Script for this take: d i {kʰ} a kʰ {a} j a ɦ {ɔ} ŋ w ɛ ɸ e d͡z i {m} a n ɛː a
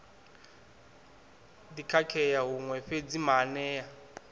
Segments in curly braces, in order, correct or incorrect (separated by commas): correct, incorrect, incorrect, correct